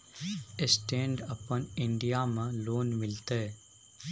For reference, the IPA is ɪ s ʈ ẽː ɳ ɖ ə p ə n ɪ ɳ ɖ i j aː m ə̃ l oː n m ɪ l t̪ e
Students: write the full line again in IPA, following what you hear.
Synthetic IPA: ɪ s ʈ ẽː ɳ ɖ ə p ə n ɪ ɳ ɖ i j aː m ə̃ l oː n m ɪ l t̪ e